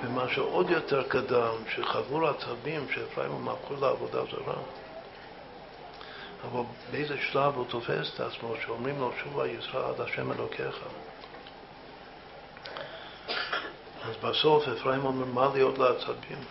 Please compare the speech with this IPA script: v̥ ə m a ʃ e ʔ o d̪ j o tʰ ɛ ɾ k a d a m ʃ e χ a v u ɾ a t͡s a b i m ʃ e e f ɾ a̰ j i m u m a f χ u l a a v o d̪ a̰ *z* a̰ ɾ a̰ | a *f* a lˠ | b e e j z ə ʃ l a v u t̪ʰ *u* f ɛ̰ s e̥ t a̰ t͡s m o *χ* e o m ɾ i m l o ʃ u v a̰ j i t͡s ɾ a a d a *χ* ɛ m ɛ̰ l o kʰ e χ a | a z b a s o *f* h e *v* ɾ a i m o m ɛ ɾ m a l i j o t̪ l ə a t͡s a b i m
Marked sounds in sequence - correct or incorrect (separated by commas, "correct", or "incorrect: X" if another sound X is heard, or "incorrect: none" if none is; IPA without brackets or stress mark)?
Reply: correct, incorrect: v, incorrect: o, incorrect: ʃ, incorrect: ʃ, correct, incorrect: f